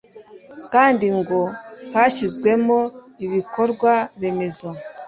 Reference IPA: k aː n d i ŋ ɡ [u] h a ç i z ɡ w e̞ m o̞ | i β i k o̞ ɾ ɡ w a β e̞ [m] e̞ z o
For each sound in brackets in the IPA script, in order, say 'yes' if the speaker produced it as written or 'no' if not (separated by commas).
no, yes